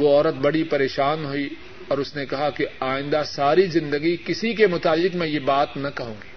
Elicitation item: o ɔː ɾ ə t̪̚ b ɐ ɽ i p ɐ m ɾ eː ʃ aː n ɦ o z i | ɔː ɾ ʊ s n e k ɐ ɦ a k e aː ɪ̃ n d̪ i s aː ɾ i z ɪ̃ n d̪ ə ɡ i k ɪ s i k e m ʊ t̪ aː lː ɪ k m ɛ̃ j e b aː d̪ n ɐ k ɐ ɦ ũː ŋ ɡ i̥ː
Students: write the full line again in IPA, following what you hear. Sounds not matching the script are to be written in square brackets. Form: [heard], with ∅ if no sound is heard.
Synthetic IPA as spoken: o ɔː ɾ ə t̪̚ b ɐ ɽ i p ɐ [∅] ɾ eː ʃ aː n ɦ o [∅] i | ɔː ɾ ʊ s n e k ɐ ɦ a k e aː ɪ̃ n d̪ [a] s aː ɾ i z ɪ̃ n d̪ ə ɡ i k ɪ s i k e m ʊ t̪ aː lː ɪ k m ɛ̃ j e b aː [t̪] n ɐ k ɐ ɦ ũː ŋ ɡ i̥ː